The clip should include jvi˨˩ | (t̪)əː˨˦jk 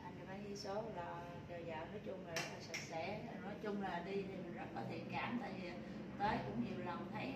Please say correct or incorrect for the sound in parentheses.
correct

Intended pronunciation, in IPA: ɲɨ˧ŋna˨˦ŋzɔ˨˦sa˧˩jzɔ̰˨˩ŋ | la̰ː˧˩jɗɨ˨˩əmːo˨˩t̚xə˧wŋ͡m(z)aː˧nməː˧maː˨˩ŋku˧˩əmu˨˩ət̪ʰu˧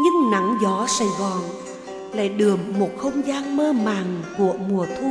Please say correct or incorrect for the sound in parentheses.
correct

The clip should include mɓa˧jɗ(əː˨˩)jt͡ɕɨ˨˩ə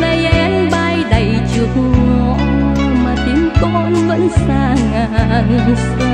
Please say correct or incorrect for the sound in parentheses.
incorrect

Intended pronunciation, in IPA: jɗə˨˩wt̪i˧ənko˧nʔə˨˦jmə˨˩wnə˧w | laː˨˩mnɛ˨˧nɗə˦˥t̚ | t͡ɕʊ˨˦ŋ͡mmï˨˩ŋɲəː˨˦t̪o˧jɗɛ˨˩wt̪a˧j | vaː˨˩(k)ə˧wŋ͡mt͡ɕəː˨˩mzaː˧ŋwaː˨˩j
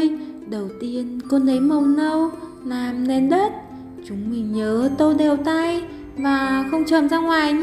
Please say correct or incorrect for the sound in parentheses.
incorrect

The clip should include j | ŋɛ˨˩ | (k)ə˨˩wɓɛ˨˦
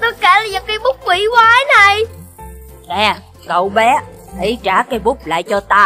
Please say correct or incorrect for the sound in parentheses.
correct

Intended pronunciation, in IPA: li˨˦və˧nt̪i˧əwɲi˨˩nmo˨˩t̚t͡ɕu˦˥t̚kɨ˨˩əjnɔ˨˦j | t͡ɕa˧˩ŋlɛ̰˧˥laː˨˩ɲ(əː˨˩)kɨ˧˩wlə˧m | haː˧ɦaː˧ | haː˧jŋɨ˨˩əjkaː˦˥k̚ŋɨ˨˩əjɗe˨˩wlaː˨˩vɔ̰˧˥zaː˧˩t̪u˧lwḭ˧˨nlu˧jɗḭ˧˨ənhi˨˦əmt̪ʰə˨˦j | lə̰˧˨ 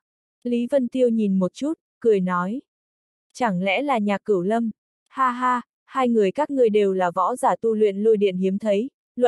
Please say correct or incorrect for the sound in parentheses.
incorrect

